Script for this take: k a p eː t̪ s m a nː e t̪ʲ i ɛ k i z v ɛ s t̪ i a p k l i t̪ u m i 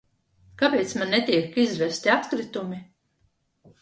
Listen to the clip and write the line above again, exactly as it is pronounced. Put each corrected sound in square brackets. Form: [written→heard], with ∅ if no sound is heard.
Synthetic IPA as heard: k a p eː t̪ s m a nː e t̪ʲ i ɛ k i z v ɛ s t̪ i a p k [l→ɾ] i t̪ u m i